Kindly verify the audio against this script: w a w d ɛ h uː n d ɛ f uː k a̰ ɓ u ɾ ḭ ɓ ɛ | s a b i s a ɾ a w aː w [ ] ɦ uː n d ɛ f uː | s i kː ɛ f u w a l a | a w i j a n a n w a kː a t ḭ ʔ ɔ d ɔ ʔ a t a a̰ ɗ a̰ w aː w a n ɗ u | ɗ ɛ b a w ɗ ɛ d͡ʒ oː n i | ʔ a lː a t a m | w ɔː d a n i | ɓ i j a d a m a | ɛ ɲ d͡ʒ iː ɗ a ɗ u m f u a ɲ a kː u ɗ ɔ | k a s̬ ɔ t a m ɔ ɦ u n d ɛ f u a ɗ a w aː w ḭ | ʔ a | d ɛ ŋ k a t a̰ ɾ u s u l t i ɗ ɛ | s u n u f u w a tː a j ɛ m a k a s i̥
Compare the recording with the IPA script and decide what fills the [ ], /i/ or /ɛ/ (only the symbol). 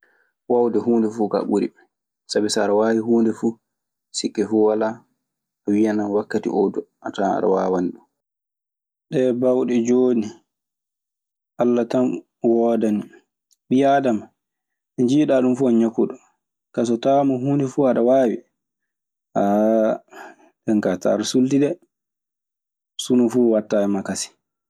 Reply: i